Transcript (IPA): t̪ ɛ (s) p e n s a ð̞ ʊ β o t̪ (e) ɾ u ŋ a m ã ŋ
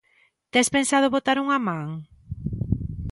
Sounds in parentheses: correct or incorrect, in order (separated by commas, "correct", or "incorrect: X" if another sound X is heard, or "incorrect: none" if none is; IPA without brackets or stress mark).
correct, incorrect: a